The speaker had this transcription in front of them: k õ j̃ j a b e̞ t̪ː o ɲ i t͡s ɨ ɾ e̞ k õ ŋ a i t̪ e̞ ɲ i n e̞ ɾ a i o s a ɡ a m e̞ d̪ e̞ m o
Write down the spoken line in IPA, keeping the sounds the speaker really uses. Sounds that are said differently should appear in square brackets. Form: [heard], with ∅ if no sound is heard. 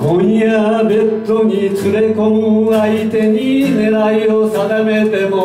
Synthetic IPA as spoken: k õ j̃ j a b e̞ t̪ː o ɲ i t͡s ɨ ɾ e̞ k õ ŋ a i t̪ e̞ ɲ i n e̞ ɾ a i o s a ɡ a m e̞ [t̪] e̞ m o